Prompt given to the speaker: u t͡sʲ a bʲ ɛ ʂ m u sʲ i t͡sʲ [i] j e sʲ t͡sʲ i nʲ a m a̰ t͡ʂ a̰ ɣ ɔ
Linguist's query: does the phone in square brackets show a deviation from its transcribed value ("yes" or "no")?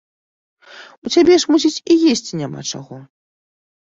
no